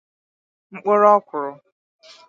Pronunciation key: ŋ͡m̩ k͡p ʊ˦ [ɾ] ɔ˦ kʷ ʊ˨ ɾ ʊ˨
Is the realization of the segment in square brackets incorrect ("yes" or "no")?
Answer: no